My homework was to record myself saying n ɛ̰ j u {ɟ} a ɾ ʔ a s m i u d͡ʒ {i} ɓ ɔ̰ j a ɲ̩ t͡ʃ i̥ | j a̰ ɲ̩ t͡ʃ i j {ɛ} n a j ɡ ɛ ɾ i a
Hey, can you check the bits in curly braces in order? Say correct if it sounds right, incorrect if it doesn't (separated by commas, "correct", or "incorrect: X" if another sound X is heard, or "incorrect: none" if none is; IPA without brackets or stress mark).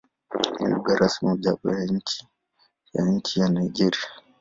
incorrect: ɡ, incorrect: a, incorrect: a